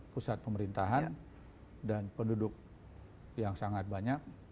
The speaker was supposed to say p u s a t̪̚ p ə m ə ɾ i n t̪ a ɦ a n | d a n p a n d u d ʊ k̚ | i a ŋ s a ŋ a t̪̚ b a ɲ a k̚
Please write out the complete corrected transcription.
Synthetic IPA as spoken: p u s a t̪̚ p ə m ə ɾ i n t̪ a ɦ a n | d a n p ə n d u d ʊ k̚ | j a ŋ s a ŋ a t̪̚ b a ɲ a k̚

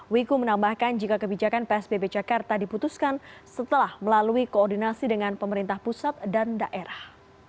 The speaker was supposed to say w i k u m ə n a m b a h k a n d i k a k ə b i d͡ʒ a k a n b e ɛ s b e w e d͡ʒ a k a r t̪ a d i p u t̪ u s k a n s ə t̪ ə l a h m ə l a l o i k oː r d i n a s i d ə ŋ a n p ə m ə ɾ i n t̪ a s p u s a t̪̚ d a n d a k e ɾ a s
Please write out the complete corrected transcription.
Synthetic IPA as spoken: w i k u m ə n a m b a h k a n d͡ʒ i k a k ə b i d͡ʒ a k a n p e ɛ s b e b e d͡ʒ a k a r t̪ a d i p u t̪ u s k a n s ə t̪ ə l a h m ə l a l u i k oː r d i n a s i d ə ŋ a n p ə m ə ɾ i n t̪ a h p u s a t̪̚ d a n d a ʔ e ɾ a h

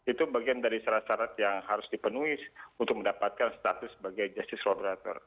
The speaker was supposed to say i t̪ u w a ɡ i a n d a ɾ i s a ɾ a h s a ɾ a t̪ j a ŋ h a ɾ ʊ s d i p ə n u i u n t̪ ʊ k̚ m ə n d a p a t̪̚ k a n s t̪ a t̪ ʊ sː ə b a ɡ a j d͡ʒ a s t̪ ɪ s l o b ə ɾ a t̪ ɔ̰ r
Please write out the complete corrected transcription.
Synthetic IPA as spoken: i t̪ u b a ɡ i a n d a ɾ i s a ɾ a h s a ɾ a t̪ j a ŋ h a ɾ ʊ s d i p ə n u i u n t̪ ʊ k̚ m ə n d a p a t̪̚ k a n s t̪ a t̪ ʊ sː ə b a ɡ a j d͡ʒ a s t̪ ɪ s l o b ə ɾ a t̪ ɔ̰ r

